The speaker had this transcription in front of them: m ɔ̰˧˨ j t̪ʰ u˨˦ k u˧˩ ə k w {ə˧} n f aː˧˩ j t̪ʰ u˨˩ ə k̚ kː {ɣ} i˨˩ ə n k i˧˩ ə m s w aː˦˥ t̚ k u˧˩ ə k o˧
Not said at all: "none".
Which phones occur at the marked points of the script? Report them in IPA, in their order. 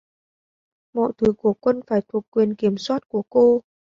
ə˧, w

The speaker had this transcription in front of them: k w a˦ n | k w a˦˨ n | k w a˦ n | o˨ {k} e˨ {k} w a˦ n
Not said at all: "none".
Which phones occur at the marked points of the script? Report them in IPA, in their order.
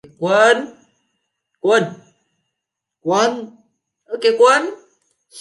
k, k

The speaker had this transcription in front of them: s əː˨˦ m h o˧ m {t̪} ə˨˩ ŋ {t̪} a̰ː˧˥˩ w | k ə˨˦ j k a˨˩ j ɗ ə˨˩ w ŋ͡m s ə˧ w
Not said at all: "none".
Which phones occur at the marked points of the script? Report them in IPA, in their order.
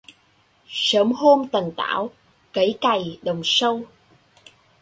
t̪, t̪

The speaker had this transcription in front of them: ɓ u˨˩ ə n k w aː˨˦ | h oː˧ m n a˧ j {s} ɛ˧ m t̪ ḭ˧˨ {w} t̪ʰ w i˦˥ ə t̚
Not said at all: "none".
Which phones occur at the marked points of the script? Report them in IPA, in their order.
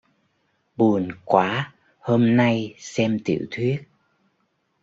s, w

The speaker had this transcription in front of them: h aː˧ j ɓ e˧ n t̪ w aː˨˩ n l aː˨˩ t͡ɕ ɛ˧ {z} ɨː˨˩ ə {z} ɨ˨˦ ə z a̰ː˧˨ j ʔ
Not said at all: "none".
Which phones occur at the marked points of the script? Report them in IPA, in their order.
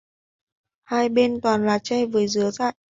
v, z

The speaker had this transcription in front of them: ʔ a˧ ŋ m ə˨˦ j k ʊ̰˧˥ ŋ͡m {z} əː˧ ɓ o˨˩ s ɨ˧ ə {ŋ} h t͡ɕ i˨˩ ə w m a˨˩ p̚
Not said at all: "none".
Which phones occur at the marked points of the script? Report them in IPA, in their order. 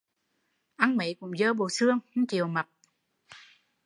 z, ŋ

